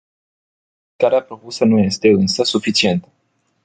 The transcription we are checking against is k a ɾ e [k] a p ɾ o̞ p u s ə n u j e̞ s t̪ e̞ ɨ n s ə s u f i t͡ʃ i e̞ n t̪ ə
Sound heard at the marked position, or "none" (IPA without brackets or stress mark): none